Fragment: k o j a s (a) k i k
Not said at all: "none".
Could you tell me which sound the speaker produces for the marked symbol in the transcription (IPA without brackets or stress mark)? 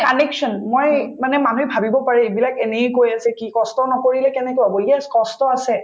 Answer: ɛ